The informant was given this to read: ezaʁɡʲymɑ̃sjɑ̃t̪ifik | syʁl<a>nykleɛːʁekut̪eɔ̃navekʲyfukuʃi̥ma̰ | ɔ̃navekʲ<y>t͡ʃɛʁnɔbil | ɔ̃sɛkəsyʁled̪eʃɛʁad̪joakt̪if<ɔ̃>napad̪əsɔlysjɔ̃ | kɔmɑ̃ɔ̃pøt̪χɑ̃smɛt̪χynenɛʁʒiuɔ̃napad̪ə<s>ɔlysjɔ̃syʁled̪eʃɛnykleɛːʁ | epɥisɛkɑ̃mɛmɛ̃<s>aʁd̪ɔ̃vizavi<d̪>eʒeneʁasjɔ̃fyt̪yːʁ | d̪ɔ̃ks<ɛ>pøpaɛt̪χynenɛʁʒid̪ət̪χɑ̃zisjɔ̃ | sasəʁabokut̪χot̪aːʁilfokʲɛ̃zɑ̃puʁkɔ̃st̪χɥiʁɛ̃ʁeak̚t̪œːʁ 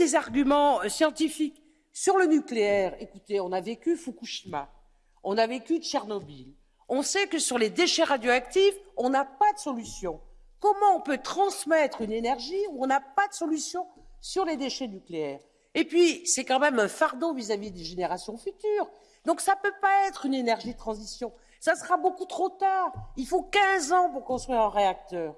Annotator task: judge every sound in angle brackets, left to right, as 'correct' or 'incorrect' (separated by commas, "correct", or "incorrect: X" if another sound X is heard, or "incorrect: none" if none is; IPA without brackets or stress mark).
incorrect: ə, correct, correct, correct, incorrect: f, correct, incorrect: a